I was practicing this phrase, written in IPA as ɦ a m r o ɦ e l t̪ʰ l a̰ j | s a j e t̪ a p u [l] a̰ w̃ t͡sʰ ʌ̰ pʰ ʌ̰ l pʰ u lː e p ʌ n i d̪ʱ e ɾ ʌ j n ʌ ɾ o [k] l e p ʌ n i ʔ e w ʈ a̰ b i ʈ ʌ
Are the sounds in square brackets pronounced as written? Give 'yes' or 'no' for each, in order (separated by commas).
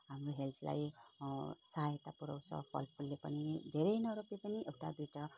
no, no